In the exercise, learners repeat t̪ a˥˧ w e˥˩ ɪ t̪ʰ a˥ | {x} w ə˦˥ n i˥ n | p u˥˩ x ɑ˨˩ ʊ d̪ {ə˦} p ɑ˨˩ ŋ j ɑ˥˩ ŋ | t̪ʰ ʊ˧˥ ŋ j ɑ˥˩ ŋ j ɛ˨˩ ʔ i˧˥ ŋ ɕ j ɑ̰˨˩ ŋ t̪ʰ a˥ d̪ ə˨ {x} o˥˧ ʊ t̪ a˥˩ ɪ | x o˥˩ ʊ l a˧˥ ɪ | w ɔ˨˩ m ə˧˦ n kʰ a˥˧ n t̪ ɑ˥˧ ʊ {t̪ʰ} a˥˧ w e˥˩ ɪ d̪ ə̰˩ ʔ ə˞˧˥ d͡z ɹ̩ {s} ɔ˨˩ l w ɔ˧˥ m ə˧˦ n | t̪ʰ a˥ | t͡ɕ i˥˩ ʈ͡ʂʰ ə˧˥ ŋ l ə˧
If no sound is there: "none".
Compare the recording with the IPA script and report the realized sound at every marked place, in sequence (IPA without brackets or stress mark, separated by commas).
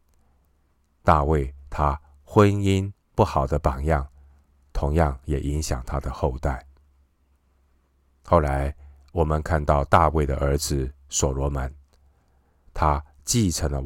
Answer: x, ə˦, x, t̪, s